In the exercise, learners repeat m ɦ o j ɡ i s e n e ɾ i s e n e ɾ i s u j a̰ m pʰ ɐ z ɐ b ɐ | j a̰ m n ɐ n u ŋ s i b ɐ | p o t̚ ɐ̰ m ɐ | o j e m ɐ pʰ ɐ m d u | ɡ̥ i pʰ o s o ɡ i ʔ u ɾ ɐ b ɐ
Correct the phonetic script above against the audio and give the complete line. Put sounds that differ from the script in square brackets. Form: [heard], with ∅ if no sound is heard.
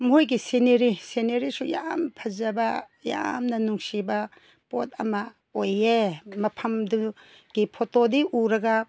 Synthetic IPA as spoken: m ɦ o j ɡ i s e n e ɾ i s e n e ɾ i s u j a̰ m pʰ ɐ z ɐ b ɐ | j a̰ m n ɐ n u ŋ s i b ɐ | p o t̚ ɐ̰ m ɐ | o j e m ɐ pʰ ɐ m d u | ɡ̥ i pʰ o [t] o [d] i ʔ u ɾ ɐ [ɡ] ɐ